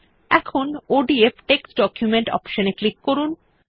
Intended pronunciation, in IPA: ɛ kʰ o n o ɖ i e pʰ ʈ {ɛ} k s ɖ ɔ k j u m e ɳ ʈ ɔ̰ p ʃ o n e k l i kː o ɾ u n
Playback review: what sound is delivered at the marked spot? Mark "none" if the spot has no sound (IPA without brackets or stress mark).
e